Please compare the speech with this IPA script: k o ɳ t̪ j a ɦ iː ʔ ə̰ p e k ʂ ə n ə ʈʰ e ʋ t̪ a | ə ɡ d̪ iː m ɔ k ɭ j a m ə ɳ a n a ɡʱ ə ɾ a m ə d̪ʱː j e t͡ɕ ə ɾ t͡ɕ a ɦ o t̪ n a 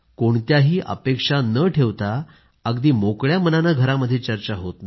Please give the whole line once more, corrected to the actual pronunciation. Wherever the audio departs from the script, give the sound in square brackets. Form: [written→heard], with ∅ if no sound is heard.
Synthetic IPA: k o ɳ t̪ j a ɦ iː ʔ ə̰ p e k ʂ [ə→a] n ə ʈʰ e ʋ t̪ a | ə ɡ d̪ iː m [ɔ→o] k ɭ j a m ə [ɳ→n] a n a ɡʱ ə ɾ a m ə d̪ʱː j e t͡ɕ ə ɾ t͡ɕ a ɦ o t̪ n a